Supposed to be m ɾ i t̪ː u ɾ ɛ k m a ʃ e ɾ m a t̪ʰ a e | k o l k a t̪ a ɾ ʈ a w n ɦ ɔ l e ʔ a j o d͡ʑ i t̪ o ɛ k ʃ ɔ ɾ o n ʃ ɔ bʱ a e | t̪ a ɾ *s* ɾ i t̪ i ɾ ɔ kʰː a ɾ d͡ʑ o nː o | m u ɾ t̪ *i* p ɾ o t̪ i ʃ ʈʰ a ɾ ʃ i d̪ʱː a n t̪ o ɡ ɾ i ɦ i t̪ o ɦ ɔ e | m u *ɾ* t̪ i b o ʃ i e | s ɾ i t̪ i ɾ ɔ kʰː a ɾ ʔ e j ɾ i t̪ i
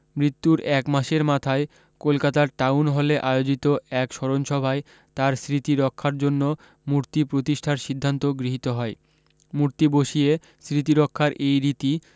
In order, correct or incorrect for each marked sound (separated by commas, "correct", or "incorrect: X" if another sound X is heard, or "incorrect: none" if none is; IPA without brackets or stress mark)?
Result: correct, correct, correct